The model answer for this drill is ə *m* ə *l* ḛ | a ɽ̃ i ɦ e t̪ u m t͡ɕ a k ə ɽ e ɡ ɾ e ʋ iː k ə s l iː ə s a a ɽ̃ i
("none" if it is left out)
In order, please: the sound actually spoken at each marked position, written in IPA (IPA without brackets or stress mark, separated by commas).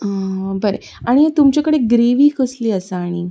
b, ɾ